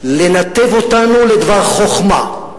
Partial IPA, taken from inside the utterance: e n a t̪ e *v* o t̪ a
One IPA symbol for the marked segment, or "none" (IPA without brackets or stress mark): v